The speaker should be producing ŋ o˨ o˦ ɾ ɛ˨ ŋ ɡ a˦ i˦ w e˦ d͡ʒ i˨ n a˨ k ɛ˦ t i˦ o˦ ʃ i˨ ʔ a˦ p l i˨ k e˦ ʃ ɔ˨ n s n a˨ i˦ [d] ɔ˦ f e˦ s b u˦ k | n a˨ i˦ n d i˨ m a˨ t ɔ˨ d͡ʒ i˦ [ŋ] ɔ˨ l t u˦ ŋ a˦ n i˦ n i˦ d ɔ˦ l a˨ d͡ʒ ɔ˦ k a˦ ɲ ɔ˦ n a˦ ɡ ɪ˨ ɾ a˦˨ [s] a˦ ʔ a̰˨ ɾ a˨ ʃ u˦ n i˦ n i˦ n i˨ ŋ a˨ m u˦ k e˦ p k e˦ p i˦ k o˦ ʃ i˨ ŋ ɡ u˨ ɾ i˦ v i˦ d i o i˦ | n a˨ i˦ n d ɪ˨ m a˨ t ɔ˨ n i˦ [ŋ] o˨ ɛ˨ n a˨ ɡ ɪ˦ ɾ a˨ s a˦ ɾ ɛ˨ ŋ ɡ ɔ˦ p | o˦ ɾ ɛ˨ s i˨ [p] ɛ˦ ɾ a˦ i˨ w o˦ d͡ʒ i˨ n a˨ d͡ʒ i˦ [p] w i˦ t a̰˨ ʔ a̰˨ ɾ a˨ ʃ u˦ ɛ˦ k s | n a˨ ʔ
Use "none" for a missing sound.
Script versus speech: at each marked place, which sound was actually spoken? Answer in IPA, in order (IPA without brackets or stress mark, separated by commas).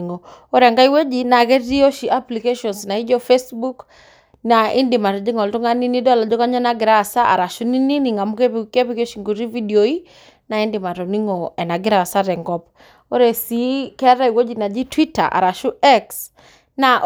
d͡ʒ, ŋ, s, ŋ, k, t